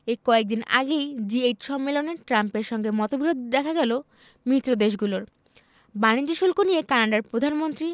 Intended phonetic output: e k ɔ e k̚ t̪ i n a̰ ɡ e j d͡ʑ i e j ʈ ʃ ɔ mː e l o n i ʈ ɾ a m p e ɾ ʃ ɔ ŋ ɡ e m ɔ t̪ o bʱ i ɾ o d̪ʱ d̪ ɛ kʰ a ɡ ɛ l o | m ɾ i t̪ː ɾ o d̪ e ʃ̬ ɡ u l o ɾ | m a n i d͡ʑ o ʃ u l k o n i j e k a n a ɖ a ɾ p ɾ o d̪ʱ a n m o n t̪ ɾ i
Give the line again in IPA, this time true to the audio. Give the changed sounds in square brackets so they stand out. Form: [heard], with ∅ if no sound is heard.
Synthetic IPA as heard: e k ɔ e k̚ [d̪] i n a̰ ɡ e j d͡ʑ i e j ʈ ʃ ɔ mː e l o n [e] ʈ ɾ a m p e ɾ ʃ ɔ ŋ ɡ e m ɔ t̪ o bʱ i ɾ o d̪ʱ d̪ ɛ kʰ a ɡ ɛ l o | m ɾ i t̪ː ɾ o d̪ e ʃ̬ ɡ u l o ɾ | [b] a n i d͡ʑ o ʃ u l k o n i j e k a n a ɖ a ɾ p ɾ o d̪ʱ a n m o n t̪ ɾ i